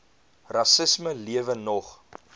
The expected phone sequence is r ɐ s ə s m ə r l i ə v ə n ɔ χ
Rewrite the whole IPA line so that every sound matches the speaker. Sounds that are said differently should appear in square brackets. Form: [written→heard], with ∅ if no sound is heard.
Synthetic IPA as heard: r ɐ s ə s m ə [r→∅] l i ə v ə n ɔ χ

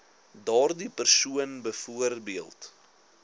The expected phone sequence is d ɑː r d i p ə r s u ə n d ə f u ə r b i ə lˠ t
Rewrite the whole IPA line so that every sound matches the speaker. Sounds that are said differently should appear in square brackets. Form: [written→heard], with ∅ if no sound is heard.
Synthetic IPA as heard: d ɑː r d i p ə r s u ə n [d→b] ə f u ə r b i ə lˠ t

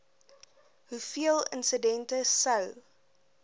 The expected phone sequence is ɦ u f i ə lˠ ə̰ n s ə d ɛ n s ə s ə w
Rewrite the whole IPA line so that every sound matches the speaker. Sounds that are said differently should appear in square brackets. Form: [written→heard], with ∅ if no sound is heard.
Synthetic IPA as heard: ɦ u f i ə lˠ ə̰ n s ə d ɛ n [s→t] ə s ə w

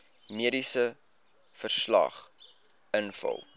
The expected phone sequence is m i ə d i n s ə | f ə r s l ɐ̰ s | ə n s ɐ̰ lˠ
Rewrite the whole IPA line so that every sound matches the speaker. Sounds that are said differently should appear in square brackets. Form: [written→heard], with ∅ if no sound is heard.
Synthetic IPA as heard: m i ə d i [n→∅] s ə | f ə r s l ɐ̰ [s→χ] | ə n [s→f] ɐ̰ lˠ

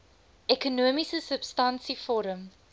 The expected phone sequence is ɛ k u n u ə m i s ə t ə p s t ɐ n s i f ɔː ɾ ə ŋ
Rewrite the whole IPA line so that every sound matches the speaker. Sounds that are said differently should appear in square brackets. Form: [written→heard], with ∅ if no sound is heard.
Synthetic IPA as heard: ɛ k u n u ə m i s ə [t→s] ə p s t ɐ n s i f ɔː ɾ ə [ŋ→m]

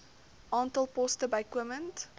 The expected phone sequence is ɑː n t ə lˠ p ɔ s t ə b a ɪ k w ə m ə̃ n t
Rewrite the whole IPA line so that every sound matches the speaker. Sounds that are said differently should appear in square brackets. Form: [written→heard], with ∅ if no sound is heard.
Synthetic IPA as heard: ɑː n t ə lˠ p ɔ s t ə b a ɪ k w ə m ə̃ n t

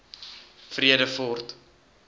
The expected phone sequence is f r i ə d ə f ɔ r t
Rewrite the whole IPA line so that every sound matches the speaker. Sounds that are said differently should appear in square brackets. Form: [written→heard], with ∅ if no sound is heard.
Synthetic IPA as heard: f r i ə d ə f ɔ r t

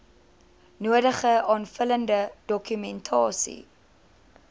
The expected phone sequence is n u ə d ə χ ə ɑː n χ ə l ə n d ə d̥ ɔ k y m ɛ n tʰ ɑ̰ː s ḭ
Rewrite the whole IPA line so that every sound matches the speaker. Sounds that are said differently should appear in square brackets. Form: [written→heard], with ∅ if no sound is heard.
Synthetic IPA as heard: n u ə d ə χ ə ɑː n [χ→f] ə l ə n d ə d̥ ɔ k y m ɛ n tʰ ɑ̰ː s ḭ

